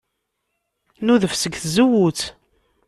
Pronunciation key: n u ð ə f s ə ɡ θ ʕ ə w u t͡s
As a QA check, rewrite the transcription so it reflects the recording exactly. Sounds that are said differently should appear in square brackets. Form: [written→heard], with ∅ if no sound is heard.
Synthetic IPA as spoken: n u ð ə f s ə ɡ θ [ʕ→z] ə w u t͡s